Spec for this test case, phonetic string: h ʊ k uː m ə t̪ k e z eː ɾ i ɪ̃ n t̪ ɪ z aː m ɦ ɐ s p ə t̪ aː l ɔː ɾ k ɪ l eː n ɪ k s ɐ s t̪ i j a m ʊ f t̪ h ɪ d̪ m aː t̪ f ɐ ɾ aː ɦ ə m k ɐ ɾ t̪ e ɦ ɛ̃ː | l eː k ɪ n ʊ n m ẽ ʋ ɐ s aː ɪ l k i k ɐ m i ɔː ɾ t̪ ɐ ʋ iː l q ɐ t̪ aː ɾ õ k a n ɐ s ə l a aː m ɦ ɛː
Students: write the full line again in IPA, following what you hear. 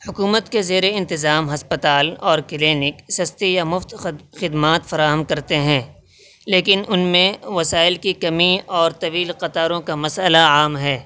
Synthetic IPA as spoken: h ʊ k uː m ə t̪ k e z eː ɾ e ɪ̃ n t̪ ɪ z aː m ɦ ɐ s p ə t̪ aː l ɔː ɾ k ɪ l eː n ɪ k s ɐ s t̪ i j a m ʊ f t̪ x ɪ d̪ m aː t̪ f ɐ ɾ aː ɦ ə m k ɐ ɾ t̪ e ɦ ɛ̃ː | l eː k ɪ n ʊ n m ẽ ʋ ɐ s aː ɪ l k i k ɐ m i ɔː ɾ t̪ ɐ ʋ iː l q ɐ t̪ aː ɾ õ k a m ɐ s ə l a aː m ɦ ɛː